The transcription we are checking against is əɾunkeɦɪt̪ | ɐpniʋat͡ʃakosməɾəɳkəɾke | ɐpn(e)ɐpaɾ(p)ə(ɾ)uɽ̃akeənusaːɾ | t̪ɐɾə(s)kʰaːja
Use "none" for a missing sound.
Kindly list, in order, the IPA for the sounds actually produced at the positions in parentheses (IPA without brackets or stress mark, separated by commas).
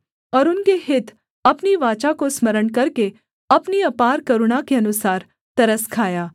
i, k, ɾ, s